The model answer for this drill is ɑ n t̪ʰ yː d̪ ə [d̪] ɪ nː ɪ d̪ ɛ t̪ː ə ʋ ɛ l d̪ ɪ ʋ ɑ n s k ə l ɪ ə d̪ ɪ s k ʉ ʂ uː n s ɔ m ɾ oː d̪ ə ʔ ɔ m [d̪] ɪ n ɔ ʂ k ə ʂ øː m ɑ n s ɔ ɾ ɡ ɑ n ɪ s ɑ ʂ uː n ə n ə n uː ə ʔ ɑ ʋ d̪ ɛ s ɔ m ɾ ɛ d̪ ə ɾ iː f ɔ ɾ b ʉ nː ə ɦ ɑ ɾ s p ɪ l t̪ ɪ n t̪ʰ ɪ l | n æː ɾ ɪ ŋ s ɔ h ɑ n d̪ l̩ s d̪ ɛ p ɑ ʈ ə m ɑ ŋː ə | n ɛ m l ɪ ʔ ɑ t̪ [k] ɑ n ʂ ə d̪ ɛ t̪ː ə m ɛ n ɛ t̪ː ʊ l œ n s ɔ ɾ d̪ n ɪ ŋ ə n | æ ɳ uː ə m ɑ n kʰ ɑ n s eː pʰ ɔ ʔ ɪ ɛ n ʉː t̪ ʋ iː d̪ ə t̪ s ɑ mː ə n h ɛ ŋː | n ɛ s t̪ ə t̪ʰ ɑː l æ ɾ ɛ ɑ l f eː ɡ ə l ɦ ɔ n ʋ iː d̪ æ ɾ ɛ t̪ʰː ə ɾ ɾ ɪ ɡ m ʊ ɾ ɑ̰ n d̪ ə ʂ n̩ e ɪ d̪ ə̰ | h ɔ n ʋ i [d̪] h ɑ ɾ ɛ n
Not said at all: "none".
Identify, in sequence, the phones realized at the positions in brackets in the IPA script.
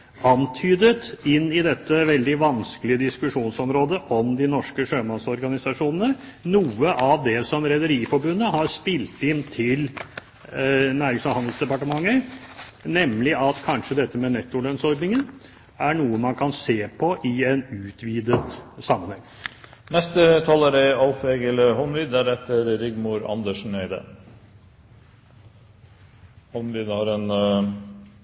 t̪, d̪, kʰ, d̪

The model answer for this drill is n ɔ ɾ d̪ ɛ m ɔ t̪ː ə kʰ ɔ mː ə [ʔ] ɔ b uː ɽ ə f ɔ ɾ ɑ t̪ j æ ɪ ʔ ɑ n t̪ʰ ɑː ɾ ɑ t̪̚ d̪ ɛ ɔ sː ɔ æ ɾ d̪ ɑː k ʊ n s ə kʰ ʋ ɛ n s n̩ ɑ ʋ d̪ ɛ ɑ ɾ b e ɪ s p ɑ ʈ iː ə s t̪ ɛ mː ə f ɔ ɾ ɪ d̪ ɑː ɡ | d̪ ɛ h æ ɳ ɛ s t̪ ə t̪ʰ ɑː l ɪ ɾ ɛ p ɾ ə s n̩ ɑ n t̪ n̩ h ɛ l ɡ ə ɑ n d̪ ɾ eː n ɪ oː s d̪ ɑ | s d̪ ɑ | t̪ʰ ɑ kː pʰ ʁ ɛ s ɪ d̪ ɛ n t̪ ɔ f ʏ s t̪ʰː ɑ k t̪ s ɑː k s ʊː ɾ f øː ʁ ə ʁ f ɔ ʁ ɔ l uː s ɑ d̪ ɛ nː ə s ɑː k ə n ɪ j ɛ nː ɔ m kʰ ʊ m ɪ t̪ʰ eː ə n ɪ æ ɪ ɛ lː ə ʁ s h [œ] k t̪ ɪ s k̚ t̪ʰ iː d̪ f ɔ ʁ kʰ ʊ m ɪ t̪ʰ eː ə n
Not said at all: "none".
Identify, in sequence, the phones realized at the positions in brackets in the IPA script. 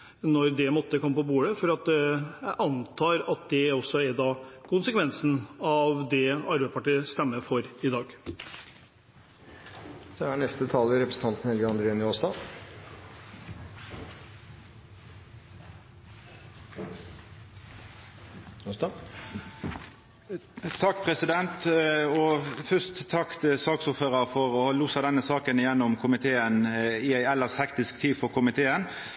p, ɛ

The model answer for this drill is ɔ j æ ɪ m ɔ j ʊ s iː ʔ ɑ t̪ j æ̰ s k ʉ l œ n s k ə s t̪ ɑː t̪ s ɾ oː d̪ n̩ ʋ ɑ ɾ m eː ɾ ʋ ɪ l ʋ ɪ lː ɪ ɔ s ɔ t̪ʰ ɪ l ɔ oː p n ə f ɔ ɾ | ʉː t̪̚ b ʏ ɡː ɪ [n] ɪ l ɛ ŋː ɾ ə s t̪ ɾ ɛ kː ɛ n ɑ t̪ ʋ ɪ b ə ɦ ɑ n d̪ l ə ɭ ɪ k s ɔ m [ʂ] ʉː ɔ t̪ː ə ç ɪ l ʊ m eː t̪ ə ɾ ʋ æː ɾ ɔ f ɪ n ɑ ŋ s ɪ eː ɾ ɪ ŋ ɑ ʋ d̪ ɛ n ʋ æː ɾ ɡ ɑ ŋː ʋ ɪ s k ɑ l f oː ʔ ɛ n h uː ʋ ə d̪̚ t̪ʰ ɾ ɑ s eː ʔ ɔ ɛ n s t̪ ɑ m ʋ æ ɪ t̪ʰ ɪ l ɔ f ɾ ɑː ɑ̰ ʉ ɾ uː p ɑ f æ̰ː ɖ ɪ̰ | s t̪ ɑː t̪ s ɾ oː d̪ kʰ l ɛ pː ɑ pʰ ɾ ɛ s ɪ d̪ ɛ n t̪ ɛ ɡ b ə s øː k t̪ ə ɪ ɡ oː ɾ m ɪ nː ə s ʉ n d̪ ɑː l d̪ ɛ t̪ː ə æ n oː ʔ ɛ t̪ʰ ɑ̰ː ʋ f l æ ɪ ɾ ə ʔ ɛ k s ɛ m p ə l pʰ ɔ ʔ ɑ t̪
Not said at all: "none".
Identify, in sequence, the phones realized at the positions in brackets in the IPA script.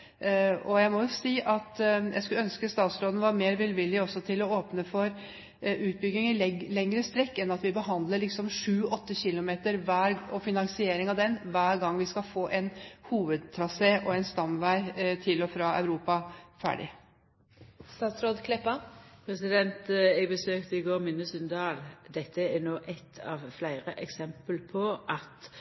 ŋ, ʂ

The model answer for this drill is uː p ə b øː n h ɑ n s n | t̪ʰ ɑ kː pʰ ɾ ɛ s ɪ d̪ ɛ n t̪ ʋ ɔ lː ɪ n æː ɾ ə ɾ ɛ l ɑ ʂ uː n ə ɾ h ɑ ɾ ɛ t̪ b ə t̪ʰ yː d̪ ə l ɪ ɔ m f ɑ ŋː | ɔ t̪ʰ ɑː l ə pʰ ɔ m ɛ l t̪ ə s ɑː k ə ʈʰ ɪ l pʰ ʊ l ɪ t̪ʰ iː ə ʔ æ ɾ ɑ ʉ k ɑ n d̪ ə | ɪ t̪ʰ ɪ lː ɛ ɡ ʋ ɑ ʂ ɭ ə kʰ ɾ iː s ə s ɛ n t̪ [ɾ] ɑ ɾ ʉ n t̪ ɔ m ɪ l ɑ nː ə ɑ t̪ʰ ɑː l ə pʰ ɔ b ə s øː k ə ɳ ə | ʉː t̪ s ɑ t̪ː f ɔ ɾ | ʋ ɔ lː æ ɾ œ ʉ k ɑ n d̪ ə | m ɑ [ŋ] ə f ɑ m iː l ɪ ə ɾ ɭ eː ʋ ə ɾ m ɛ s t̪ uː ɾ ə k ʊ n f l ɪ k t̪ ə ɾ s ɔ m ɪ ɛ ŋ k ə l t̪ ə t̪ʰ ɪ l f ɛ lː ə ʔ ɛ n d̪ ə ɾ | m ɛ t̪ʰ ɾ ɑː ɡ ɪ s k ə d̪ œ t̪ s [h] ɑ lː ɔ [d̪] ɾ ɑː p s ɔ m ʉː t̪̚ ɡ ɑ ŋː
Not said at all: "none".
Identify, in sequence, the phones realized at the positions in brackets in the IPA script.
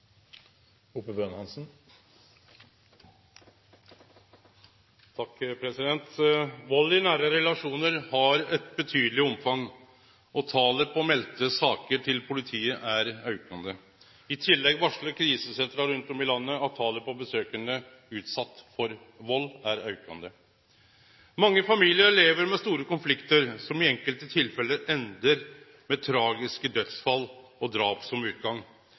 ɾ, ŋː, f, d̪

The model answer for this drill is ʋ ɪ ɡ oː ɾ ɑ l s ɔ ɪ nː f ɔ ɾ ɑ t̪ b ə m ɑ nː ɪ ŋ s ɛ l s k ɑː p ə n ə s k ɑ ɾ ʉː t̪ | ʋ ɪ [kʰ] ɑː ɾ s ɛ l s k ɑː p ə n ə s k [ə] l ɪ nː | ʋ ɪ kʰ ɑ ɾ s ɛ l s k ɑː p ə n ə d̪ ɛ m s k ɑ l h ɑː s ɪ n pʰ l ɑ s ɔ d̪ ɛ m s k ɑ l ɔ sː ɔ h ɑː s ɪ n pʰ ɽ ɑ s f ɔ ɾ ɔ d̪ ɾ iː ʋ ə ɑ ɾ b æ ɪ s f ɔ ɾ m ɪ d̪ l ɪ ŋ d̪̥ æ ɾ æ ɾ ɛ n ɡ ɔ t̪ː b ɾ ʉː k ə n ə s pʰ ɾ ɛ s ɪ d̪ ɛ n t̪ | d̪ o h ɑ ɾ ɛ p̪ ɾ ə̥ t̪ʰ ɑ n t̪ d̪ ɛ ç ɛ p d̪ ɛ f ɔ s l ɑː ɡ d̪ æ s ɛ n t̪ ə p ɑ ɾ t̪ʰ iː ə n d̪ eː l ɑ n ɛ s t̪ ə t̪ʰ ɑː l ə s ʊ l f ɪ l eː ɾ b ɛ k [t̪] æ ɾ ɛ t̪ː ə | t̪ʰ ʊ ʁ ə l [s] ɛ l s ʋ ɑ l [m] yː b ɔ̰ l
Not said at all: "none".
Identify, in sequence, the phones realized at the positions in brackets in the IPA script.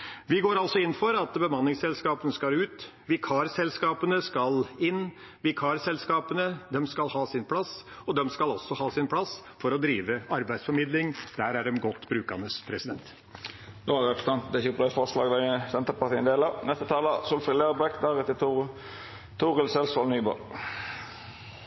kʰ, ɑ, d̪, s, n

